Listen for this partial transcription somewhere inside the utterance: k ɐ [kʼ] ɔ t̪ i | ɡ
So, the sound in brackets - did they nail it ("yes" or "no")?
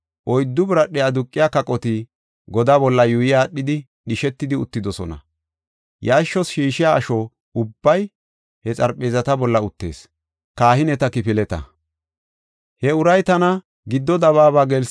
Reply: yes